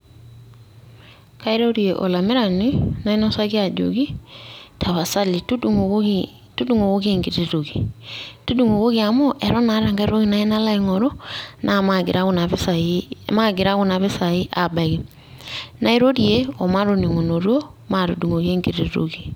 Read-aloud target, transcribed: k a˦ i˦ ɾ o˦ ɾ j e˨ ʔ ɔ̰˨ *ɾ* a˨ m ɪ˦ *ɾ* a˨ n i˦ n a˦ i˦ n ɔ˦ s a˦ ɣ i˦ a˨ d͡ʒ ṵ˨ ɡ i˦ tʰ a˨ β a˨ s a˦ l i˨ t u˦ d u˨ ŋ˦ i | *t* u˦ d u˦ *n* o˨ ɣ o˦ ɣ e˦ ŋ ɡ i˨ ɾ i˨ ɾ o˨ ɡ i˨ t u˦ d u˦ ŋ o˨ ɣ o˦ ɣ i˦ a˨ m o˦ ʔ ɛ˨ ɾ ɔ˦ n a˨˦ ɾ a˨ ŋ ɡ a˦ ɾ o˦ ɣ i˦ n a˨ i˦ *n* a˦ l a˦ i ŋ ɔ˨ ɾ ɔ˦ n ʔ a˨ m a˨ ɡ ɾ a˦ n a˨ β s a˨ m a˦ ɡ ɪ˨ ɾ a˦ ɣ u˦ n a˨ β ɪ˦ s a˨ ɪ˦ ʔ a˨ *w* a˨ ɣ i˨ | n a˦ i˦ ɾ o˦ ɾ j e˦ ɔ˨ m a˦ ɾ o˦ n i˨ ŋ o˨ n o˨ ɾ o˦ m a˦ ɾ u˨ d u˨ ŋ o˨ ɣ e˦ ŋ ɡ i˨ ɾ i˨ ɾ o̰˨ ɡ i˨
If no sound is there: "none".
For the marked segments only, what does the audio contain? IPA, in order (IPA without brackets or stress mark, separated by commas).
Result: l, ɾ, t, ŋ, n, b